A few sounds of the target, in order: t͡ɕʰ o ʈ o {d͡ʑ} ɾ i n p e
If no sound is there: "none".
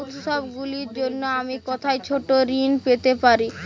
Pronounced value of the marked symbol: none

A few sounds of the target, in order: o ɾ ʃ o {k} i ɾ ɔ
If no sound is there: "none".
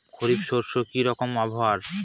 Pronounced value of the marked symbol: k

